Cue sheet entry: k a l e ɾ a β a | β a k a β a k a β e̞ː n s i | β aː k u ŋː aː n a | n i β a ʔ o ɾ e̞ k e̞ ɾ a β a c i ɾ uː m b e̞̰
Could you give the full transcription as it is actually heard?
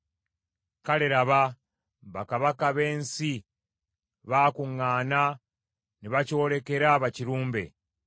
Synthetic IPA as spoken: k a l e ɾ a β a | β a k a β a k a β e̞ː n s i | β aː k u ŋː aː n a | n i β a c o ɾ e̞ k e̞ ɾ a β a c i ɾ uː m b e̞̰